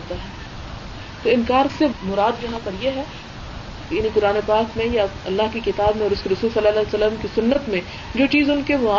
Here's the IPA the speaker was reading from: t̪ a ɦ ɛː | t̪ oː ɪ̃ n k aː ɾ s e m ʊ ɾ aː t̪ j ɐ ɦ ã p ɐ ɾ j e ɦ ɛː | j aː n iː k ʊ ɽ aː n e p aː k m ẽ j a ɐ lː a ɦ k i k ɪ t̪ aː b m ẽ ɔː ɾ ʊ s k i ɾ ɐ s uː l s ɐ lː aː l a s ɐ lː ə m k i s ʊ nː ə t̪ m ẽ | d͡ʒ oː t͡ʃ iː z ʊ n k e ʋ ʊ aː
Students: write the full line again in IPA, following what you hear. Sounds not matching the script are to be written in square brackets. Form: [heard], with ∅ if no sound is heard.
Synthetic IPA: t̪ a ɦ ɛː | t̪ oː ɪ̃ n k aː ɾ s e m ʊ ɾ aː [d̪] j ɐ ɦ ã p ɐ ɾ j e ɦ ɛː | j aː n [i] k ʊ [ɾ] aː n e p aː k m ẽ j a ɐ lː a ɦ k i k ɪ t̪ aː b m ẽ ɔː ɾ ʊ s k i ɾ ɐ s uː l s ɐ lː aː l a s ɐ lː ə m k i s ʊ nː ə t̪ m ẽ | d͡ʒ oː t͡ʃ iː z ʊ n k e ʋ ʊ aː